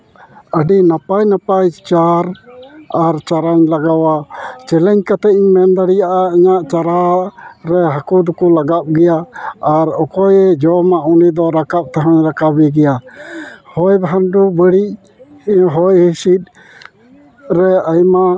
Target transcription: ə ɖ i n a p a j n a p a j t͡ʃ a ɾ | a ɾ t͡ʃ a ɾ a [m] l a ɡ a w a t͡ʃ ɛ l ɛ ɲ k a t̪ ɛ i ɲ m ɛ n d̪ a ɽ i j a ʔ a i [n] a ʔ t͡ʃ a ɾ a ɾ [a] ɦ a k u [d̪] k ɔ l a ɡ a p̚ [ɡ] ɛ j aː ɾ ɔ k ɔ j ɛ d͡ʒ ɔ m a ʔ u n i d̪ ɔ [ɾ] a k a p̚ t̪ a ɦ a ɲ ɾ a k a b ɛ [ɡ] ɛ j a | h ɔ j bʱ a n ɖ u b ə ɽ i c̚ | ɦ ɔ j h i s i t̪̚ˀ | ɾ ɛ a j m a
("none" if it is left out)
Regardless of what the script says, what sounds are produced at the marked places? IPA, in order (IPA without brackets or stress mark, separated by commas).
ɲ, ɲ, ɛ, d̪, ɡ, ɾ, ɡ